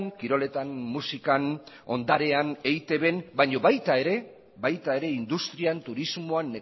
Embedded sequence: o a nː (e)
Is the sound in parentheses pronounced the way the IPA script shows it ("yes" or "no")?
yes